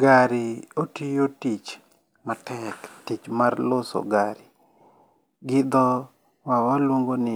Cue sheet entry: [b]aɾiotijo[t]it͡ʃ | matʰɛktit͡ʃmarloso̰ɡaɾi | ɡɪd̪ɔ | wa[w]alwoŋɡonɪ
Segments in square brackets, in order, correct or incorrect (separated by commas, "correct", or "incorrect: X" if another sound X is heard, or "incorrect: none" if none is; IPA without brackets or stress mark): incorrect: ɡ, correct, correct